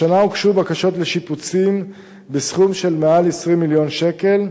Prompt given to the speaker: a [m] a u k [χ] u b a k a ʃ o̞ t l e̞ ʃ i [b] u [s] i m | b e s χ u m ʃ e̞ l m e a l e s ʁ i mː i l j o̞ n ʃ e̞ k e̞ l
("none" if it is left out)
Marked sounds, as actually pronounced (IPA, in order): n, ʃ, p, t͡s

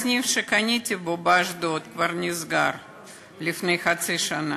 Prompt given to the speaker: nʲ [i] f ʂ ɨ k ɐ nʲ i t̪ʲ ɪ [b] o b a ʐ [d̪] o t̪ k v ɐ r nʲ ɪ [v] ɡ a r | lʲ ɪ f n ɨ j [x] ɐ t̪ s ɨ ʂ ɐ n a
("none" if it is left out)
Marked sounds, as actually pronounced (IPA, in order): i, b, d̪, z, x

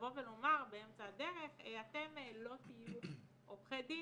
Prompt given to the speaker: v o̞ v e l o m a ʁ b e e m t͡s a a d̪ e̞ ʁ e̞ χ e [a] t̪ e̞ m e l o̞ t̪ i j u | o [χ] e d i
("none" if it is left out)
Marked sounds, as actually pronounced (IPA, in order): a, χ

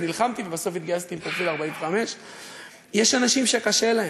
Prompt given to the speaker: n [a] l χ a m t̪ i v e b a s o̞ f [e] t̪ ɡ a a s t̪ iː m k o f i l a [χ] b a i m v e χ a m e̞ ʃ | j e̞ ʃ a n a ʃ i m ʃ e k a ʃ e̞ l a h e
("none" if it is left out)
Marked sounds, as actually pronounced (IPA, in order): i, i, ʁ

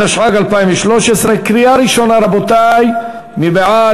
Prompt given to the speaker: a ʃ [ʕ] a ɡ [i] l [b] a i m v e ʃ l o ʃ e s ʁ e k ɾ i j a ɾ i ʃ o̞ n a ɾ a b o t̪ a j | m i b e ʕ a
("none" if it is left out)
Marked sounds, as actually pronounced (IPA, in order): ʕ, a, p

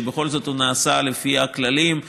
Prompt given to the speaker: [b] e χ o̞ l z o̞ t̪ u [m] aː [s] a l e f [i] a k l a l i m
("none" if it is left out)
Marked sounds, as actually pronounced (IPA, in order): b, n, s, i

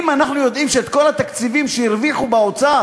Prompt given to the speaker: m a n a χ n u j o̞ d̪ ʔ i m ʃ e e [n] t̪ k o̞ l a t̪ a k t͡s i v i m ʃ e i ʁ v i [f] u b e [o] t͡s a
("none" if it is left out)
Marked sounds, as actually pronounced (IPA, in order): none, χ, o

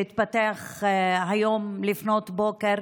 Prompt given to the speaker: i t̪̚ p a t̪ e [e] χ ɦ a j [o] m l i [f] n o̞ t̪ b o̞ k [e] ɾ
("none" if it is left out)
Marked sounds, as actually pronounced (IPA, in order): a, o, f, e

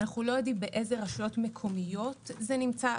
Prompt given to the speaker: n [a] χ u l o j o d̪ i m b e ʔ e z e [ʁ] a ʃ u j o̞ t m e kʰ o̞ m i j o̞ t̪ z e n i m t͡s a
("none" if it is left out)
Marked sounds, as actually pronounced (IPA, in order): a, ʁ

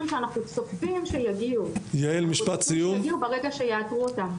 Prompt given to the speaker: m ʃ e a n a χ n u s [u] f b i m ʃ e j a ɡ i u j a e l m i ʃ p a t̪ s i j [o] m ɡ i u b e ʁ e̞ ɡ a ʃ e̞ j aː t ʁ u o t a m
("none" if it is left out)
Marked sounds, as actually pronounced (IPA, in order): o, u

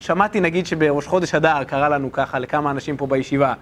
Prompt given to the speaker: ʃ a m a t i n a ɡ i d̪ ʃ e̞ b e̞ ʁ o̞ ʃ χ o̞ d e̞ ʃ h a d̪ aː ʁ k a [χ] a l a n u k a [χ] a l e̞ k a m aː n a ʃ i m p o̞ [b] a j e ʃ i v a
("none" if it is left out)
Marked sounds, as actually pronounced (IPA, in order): ʁ, χ, b

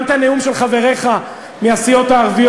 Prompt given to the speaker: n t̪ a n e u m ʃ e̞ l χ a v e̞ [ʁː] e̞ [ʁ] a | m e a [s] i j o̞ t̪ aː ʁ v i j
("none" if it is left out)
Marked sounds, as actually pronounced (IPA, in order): ʁ, χ, s

